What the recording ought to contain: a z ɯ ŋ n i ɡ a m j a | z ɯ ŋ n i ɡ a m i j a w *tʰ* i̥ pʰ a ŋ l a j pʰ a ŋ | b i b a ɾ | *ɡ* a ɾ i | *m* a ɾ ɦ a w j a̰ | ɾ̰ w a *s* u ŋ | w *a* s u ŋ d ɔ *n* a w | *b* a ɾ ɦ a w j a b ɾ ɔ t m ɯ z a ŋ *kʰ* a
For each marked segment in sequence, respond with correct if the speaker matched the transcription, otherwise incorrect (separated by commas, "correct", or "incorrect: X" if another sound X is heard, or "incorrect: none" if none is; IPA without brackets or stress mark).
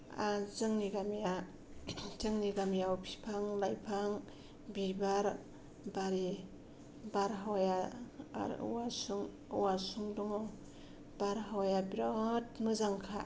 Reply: incorrect: pʰ, incorrect: b, incorrect: b, correct, correct, incorrect: ŋ, correct, correct